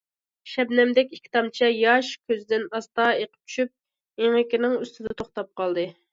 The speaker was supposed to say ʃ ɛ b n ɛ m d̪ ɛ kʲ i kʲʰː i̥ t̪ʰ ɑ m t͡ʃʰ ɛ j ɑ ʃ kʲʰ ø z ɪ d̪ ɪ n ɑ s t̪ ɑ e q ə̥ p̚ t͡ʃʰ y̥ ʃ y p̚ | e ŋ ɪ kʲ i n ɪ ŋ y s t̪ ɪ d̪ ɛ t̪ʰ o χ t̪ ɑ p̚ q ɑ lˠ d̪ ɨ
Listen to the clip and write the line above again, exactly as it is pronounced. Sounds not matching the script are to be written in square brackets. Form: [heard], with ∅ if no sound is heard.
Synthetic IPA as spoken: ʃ ɛ b n ɛ m d̪ ɛ kʲ i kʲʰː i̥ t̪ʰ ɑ m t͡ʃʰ ɛ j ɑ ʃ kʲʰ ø z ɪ d̪ ɪ n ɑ s t̪ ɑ e q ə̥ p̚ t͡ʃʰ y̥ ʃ y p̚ | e ŋ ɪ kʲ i n ɪ ŋ y s t̪ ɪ d̪ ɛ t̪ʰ o χ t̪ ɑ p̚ q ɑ lˠ d̪ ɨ